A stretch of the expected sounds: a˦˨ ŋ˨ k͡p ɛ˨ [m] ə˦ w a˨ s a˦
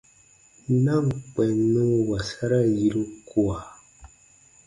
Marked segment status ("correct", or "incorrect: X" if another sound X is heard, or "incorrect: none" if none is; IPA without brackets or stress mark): incorrect: n